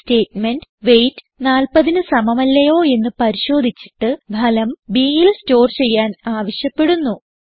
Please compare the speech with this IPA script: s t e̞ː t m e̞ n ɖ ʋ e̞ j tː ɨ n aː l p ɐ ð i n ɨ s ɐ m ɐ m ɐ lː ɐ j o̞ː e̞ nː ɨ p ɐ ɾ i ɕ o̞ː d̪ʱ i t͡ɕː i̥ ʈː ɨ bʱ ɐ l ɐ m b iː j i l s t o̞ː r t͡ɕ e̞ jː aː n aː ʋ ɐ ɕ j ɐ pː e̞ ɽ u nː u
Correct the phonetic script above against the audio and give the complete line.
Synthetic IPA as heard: s t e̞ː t m e̞ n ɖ ʋ e̞ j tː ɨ n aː l p ɐ ð i n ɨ s ɐ m ɐ m ɐ lː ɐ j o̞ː e̞ nː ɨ p ɐ ɾ i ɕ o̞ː d̪ʱ i t͡ɕː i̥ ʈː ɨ bʱ ɐ l ɐ m b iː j i l s t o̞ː r t͡ɕ e̞ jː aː n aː ʋ ɐ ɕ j ɐ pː e̞ ɽ u nː u